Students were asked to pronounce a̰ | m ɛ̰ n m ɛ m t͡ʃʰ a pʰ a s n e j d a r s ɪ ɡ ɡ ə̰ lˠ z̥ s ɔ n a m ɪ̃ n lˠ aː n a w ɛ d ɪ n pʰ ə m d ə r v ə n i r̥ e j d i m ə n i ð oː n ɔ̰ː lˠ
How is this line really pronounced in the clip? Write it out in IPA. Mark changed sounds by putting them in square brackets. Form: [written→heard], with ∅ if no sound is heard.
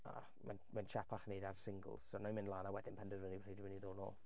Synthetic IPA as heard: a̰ | m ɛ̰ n m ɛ [m→n] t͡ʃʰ a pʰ a [s→χ] n e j d a r s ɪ [ɡ→ŋ] ɡ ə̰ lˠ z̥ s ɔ n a m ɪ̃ n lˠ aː n a w ɛ d ɪ n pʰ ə [m→n] d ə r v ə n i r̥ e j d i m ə n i ð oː n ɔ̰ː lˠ